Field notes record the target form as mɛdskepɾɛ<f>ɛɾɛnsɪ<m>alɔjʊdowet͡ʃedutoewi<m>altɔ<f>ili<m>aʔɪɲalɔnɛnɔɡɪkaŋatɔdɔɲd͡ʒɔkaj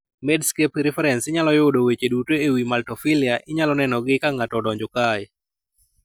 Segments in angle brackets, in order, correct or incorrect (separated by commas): correct, incorrect, correct, correct, incorrect